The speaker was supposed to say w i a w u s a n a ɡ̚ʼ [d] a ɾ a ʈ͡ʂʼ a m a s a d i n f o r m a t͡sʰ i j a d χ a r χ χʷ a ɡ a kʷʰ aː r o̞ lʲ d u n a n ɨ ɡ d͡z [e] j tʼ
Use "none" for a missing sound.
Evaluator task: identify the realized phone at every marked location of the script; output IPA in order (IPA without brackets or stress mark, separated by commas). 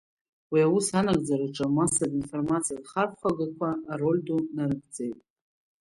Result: d͡z, e